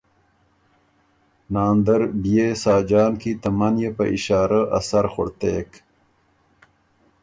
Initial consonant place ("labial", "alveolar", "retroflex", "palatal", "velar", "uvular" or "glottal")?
alveolar